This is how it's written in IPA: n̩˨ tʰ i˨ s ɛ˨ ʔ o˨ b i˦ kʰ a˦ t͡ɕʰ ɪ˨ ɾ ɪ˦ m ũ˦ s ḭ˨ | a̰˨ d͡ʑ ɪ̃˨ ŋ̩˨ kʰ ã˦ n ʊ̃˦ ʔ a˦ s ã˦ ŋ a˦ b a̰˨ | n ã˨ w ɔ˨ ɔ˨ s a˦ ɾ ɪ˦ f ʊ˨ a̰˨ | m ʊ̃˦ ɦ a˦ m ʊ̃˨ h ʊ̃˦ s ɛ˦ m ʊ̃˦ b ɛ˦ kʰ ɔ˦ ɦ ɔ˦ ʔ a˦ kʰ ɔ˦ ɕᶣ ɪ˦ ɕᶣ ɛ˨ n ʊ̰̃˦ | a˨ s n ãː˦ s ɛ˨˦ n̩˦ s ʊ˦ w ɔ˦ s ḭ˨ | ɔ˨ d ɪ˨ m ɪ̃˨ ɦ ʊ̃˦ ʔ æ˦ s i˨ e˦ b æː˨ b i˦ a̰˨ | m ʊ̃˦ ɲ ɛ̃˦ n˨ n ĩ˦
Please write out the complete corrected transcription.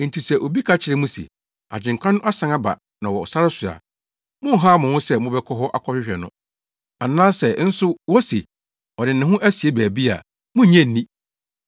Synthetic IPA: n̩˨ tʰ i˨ s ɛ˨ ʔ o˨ b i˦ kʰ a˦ t͡ɕʰ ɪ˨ ɾ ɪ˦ m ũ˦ s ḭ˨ | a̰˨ d͡ʑ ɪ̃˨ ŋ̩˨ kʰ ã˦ n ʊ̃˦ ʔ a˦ s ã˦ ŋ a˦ b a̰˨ | n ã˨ w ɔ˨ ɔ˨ s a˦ ɾ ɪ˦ s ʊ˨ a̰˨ | m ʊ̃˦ ɦ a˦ m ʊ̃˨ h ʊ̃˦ s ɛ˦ m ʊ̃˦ b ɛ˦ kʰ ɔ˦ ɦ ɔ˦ ʔ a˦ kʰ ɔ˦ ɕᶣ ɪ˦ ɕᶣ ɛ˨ n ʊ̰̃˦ | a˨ n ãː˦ s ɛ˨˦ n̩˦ s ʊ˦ w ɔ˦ s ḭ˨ | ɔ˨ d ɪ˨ n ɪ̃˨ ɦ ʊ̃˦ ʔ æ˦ s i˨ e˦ b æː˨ b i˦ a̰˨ | m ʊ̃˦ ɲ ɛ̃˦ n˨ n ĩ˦